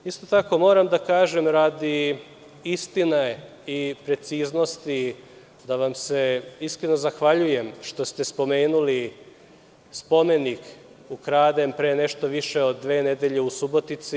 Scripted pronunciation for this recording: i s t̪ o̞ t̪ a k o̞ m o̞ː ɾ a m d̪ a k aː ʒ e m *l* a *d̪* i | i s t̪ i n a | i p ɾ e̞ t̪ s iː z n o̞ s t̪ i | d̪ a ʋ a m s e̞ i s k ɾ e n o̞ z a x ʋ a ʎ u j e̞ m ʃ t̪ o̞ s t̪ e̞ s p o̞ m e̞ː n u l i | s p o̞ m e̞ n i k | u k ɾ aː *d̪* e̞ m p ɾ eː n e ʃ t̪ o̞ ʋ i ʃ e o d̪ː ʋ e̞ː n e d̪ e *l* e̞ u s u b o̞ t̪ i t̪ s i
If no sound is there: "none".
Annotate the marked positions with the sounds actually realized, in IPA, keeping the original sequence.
ɾ, d̪, d̪, ʎ

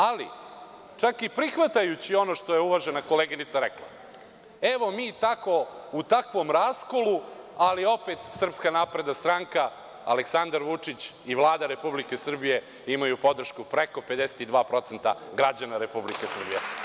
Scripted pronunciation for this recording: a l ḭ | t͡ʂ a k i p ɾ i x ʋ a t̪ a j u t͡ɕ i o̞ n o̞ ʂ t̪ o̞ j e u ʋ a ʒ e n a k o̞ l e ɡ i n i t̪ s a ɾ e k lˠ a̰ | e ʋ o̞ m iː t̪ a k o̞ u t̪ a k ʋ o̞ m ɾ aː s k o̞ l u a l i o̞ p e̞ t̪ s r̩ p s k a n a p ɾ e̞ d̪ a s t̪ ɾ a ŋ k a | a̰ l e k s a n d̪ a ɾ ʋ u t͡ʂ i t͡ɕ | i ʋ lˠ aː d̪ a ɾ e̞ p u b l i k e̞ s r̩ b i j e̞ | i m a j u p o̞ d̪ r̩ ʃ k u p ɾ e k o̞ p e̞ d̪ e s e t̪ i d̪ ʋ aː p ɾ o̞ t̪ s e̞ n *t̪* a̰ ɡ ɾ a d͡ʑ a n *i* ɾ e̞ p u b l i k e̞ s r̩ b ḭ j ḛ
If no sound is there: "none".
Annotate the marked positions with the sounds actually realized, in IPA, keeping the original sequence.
t̪, a

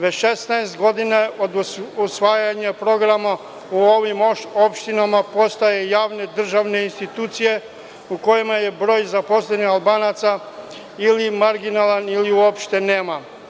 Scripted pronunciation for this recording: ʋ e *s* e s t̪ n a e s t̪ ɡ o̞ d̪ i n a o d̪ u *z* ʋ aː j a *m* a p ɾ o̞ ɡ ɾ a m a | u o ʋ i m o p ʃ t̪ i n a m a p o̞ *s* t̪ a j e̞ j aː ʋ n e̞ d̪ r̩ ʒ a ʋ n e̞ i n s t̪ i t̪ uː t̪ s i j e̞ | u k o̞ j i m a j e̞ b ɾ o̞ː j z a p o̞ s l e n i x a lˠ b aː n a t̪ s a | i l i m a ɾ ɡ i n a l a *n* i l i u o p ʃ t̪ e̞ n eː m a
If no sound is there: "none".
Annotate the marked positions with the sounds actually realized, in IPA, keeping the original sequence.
ʃ, s, ɲ, s, n

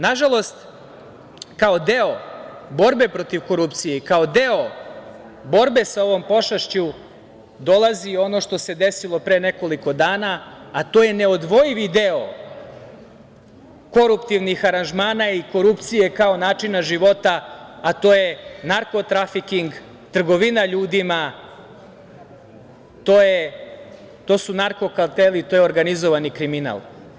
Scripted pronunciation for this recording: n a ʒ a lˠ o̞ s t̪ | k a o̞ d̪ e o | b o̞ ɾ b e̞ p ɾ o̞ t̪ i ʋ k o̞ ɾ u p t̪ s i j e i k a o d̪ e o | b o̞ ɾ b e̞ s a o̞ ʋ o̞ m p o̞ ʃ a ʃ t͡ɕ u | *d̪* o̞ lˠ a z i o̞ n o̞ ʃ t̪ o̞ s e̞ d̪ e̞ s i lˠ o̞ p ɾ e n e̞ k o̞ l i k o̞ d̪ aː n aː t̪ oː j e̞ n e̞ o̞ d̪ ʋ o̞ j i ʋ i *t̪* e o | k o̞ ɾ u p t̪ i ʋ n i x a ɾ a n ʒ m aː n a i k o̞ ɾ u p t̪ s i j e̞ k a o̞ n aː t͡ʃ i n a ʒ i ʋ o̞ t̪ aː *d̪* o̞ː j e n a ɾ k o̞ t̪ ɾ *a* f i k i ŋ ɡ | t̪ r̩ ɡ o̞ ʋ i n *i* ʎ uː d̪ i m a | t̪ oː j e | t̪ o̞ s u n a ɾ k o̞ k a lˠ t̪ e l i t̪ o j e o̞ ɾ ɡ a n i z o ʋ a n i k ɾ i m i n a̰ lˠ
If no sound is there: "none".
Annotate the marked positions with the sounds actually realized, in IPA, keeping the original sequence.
d̪, d̪, t̪, a, a

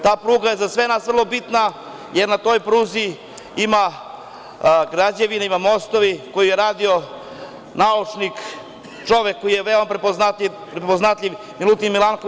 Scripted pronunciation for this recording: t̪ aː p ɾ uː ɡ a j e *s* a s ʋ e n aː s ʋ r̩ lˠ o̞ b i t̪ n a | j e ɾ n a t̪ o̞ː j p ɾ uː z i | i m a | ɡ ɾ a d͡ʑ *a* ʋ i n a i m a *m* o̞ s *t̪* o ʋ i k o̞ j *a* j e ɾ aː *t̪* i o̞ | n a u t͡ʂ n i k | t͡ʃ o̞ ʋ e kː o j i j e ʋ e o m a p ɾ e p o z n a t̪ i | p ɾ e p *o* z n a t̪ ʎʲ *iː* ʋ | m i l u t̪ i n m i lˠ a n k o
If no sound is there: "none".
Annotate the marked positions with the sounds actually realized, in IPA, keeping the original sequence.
z, e, m, t̪, i, d̪, o, i

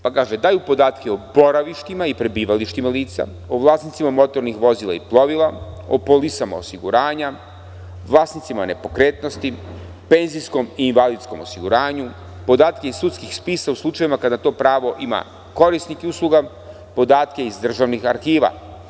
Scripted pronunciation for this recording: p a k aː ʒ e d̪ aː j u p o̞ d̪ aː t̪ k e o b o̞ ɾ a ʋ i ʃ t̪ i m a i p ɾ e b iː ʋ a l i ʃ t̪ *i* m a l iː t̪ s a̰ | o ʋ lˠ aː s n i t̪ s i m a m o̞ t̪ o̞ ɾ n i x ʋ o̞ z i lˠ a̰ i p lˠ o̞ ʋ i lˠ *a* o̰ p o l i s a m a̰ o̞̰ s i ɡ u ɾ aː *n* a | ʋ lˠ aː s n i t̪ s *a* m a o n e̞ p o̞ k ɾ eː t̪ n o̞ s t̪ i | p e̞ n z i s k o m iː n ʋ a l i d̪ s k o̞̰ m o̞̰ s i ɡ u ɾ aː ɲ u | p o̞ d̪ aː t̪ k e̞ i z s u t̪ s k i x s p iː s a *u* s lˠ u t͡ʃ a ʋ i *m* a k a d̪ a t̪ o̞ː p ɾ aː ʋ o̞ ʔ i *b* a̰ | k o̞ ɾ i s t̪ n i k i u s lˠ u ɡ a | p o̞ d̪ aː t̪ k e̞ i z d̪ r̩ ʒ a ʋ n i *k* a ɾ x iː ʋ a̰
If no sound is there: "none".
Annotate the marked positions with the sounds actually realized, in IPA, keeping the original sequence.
i, a, ɲ, i, u, m, m, x

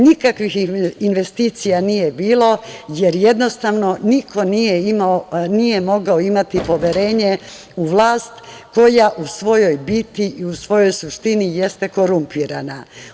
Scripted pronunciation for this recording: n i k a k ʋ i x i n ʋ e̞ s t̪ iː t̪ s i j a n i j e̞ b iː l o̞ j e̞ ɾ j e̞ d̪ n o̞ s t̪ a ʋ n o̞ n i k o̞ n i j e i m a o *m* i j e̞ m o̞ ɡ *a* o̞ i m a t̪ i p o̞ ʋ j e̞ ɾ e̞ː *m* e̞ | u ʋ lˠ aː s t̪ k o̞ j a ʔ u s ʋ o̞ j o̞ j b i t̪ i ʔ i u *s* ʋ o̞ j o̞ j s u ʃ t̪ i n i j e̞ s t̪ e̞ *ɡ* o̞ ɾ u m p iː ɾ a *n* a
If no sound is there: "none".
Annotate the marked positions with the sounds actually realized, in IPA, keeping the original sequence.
n, a, ɲ, s, k, n

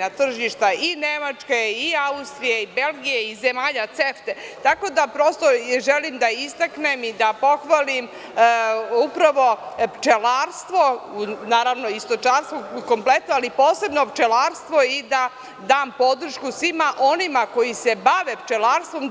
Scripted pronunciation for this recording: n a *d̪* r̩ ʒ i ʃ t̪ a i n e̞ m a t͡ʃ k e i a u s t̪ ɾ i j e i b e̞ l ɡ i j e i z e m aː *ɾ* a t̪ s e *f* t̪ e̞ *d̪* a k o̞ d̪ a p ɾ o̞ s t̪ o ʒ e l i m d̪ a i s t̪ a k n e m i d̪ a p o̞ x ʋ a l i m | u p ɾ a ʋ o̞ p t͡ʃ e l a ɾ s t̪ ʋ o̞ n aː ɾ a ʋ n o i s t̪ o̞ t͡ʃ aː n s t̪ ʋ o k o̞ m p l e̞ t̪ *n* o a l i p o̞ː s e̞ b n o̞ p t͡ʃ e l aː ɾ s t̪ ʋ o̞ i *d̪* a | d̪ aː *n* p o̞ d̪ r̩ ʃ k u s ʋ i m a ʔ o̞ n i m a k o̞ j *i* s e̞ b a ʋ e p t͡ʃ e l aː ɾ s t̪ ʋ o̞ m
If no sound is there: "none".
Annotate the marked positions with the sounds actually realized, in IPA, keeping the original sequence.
t̪, ʎ, f, t̪, n, d̪, m, i

